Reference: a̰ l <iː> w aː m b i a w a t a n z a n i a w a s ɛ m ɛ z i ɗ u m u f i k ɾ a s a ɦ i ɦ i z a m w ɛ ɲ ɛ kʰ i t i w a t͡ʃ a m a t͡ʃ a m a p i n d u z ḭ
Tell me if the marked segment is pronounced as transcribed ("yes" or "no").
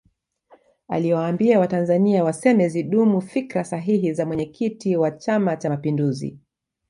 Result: no